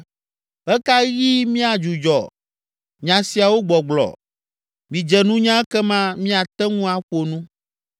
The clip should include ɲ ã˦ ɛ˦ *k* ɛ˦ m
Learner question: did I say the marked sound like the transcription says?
yes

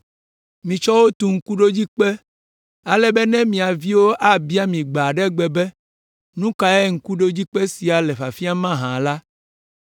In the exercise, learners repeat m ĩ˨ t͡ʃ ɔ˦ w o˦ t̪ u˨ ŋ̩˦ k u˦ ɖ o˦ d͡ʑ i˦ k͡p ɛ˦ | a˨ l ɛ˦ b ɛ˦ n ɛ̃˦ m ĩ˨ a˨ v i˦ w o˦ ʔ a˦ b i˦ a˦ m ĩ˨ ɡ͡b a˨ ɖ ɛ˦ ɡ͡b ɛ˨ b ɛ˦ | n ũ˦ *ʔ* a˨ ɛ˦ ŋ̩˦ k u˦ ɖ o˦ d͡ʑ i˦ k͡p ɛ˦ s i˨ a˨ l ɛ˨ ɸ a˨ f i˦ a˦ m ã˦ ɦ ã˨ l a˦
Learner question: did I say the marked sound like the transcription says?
no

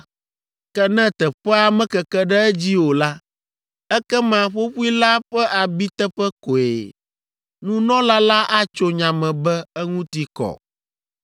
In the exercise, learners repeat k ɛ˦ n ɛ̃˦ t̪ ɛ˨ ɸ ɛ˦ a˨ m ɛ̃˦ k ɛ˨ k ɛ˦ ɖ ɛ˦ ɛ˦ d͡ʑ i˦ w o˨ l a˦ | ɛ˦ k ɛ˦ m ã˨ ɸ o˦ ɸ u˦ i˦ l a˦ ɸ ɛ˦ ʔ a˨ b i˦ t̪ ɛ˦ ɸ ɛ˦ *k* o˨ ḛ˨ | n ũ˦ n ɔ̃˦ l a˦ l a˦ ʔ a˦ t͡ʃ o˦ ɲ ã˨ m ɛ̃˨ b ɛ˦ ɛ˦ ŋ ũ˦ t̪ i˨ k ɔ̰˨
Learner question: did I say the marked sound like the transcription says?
yes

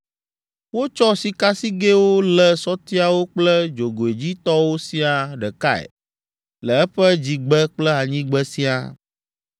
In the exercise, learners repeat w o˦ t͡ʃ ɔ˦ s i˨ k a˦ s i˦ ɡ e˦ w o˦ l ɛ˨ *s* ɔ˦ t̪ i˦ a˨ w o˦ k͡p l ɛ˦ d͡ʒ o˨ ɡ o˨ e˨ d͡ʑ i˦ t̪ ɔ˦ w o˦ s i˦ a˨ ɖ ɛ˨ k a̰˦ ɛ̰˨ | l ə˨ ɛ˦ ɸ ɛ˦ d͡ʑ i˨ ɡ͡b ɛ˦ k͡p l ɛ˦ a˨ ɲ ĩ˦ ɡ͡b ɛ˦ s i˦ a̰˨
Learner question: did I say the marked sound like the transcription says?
yes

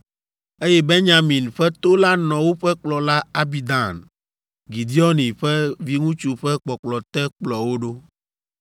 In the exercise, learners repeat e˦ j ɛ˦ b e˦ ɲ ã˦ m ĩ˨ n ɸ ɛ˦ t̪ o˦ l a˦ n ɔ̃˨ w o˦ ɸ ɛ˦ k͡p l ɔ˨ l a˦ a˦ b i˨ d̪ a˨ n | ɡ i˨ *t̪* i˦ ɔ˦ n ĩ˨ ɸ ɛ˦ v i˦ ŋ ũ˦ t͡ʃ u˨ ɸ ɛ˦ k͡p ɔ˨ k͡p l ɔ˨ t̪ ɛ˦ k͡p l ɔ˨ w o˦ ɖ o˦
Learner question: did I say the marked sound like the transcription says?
no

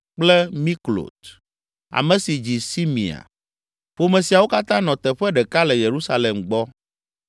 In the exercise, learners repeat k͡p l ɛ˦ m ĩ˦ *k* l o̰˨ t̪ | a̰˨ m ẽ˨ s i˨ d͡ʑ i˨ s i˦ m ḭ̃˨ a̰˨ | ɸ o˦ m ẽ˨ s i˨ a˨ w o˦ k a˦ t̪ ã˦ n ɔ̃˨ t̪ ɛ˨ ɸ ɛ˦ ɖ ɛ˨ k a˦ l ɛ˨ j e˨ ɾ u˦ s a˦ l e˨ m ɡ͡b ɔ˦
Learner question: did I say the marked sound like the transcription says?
yes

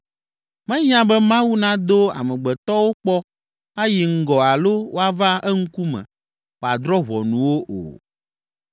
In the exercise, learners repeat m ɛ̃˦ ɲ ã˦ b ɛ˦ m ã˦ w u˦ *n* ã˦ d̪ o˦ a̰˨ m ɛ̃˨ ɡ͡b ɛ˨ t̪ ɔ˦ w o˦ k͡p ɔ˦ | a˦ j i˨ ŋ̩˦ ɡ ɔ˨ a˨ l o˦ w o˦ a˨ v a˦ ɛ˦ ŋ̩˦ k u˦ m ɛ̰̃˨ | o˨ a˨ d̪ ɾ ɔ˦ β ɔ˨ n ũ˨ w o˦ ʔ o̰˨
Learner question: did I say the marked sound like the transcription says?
yes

